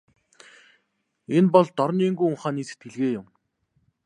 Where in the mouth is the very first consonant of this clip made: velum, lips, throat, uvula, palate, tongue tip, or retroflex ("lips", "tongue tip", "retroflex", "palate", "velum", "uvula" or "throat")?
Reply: tongue tip